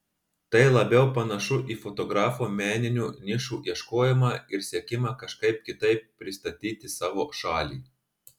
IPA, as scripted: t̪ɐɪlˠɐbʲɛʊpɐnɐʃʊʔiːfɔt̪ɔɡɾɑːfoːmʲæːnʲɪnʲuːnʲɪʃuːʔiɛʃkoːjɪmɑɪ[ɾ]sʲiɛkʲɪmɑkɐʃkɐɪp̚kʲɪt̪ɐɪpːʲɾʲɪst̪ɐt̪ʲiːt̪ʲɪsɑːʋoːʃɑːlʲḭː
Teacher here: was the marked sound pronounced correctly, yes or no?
yes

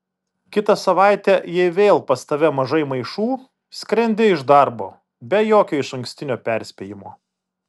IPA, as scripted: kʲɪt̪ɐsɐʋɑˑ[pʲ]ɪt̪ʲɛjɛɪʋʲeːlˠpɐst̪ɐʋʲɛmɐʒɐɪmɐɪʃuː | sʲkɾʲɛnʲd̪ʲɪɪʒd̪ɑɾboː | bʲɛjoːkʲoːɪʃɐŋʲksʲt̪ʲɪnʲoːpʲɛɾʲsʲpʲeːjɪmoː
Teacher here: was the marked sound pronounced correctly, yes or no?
no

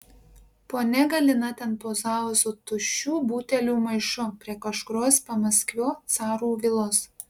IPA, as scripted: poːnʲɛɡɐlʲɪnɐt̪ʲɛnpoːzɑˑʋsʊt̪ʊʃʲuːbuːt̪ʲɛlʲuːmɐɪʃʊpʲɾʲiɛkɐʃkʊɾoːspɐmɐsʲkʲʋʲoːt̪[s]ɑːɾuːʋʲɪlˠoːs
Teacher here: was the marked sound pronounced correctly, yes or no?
yes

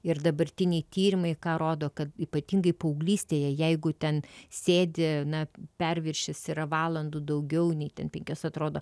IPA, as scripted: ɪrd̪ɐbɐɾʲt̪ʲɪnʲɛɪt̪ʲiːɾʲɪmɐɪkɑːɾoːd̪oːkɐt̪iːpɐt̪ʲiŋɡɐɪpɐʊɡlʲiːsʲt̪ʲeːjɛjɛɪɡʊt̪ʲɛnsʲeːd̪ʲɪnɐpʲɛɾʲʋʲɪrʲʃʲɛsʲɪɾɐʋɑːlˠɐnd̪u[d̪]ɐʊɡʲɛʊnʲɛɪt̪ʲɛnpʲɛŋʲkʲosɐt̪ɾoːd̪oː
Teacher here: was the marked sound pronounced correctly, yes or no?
yes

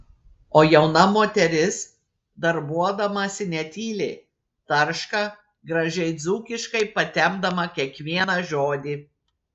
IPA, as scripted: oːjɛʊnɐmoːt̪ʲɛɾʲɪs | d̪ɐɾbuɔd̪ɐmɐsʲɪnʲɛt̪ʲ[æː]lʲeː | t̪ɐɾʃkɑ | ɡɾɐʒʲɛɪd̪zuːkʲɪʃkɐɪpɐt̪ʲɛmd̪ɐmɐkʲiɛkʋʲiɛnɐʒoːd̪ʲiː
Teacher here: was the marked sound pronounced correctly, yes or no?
no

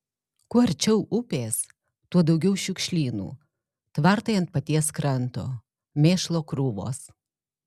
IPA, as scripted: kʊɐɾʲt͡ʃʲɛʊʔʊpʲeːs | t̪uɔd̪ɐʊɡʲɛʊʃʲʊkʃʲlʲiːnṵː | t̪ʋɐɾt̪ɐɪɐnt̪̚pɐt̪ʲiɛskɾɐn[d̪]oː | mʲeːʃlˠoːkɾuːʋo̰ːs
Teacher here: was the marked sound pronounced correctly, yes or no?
no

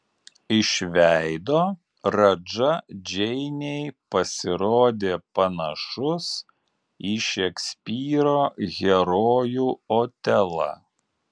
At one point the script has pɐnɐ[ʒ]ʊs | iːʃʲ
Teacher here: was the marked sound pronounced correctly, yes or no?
no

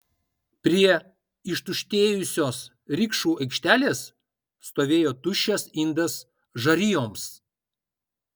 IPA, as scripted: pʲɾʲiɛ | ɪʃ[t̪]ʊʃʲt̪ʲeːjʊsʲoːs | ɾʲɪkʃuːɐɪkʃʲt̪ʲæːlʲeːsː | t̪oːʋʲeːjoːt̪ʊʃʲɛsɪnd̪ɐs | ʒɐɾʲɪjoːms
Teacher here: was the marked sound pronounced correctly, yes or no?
yes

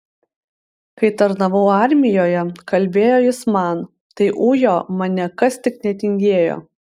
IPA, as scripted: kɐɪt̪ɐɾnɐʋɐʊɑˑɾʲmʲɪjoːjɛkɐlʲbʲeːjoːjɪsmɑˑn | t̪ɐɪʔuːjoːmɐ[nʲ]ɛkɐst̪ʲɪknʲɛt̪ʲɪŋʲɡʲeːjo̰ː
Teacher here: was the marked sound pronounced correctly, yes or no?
yes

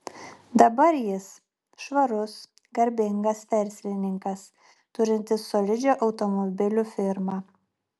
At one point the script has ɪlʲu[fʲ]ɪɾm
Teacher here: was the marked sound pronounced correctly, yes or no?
yes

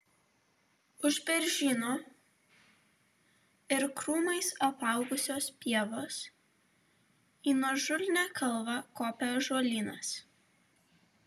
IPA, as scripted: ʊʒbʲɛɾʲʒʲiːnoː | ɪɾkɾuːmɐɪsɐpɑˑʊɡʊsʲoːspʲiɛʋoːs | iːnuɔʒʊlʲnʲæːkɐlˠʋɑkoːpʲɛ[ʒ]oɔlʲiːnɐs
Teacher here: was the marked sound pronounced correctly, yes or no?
yes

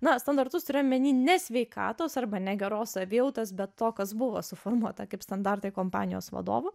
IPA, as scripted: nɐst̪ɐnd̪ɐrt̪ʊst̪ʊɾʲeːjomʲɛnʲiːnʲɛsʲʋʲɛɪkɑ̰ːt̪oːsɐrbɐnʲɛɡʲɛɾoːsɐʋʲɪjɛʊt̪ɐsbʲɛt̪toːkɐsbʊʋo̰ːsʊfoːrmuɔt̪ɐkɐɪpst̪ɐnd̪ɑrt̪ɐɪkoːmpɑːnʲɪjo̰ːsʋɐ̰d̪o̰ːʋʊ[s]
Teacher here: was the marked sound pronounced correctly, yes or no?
no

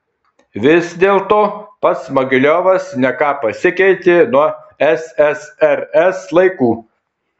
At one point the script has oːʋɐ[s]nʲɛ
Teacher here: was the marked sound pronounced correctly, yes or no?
yes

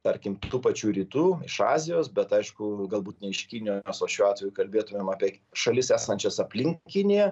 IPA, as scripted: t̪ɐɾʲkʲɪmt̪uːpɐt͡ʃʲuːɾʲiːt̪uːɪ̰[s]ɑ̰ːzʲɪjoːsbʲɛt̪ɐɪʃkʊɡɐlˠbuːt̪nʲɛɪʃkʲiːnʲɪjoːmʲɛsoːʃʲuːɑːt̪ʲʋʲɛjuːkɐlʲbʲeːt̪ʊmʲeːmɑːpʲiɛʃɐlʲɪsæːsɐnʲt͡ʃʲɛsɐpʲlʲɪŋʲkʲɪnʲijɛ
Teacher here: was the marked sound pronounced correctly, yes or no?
no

